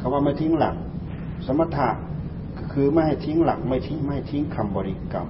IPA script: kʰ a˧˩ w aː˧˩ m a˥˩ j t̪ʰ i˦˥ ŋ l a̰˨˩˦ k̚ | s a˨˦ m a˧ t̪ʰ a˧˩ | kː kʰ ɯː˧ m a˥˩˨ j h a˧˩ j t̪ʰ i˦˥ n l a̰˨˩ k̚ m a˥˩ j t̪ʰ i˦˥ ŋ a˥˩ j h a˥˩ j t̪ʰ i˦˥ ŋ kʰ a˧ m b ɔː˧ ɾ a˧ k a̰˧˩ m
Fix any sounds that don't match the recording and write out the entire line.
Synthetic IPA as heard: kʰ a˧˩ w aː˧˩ m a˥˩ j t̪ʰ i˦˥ ŋ l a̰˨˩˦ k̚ | s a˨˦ m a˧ t̪ʰ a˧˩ | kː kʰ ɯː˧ m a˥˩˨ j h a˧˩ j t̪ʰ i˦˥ ŋ l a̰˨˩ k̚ m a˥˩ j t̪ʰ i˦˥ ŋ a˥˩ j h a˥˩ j t̪ʰ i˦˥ ŋ kʰ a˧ m b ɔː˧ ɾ i˧ k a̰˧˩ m